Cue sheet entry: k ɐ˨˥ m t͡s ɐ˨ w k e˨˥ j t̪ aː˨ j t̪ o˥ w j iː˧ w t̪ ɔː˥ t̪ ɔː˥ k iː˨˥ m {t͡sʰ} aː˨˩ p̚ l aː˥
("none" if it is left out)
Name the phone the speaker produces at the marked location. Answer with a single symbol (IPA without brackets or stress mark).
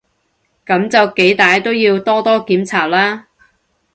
t͡sʰ